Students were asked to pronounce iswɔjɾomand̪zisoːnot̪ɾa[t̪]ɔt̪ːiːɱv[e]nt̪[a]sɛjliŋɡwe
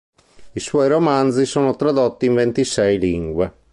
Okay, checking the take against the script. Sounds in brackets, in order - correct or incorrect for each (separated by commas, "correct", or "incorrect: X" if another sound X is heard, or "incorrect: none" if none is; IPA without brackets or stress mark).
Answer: incorrect: d̪, correct, incorrect: i